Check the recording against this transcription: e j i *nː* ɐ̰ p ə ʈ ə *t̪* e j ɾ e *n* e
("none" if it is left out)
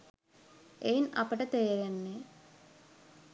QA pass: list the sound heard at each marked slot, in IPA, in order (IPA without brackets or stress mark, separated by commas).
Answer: n, t̪, nː